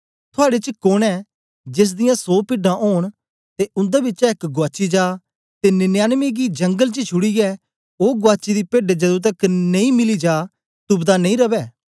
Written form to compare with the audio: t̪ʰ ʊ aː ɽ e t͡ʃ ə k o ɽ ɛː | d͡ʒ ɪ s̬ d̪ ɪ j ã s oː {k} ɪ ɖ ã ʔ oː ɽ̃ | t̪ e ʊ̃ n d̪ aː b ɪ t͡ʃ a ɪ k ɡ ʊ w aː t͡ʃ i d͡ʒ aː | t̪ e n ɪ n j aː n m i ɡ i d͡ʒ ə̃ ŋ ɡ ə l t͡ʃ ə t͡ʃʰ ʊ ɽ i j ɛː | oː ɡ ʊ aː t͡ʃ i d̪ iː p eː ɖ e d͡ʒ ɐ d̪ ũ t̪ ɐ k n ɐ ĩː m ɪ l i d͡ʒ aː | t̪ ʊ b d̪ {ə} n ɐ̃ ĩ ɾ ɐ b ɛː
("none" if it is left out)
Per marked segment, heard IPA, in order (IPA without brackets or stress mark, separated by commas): p, a